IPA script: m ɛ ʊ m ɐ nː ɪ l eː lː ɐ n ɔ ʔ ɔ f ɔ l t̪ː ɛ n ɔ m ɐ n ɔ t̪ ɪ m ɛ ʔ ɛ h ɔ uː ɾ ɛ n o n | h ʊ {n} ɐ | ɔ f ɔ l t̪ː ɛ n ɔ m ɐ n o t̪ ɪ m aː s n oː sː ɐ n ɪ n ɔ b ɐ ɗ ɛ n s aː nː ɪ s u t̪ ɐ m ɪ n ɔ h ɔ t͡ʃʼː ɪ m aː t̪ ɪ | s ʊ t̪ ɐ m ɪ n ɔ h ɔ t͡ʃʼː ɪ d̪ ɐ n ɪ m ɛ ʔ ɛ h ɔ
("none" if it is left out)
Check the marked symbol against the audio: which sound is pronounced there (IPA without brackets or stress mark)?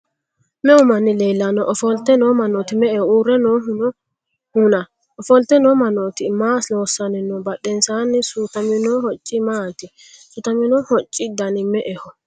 n